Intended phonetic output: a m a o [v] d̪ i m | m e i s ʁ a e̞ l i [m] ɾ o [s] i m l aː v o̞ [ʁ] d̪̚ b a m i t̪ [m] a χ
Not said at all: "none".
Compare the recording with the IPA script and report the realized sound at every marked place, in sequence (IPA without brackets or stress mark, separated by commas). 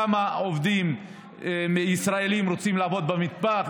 v, m, t͡s, none, b